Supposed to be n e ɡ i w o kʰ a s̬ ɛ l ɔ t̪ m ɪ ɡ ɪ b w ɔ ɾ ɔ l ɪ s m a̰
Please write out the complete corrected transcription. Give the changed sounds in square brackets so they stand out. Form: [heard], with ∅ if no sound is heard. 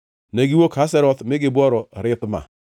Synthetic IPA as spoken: n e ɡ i w o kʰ a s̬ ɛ [ɾ] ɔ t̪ m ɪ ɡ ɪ b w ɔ ɾ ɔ [ɾ] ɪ [t] m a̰